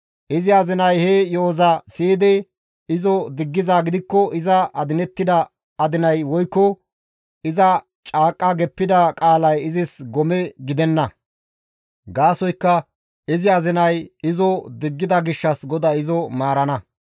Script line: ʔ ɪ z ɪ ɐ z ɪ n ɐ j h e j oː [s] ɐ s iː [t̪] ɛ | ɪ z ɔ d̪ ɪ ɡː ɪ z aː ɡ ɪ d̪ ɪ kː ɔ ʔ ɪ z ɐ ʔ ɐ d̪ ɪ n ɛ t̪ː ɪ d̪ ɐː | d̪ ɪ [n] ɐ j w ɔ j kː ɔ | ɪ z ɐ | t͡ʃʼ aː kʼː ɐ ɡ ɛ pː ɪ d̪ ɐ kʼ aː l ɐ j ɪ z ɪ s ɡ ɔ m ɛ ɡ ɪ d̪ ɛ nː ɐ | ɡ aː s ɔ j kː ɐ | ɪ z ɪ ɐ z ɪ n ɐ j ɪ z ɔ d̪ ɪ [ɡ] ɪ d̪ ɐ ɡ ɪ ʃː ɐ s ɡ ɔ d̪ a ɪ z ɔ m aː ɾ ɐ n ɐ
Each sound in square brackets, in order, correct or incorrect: incorrect, incorrect, correct, incorrect

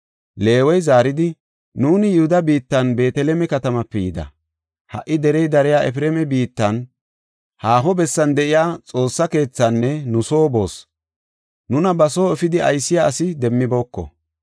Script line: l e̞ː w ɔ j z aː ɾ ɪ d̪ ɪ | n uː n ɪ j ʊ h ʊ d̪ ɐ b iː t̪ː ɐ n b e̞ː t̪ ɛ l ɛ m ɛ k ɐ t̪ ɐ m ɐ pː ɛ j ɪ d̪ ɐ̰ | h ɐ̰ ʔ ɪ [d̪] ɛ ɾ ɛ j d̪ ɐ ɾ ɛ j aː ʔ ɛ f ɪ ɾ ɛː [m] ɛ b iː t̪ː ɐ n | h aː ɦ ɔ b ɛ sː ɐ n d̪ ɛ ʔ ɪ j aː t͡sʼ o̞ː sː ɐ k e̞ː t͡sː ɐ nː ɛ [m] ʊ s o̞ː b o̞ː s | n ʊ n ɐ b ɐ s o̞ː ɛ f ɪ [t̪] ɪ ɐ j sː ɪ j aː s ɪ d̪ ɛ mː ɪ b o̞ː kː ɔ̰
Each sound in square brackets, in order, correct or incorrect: correct, correct, incorrect, incorrect

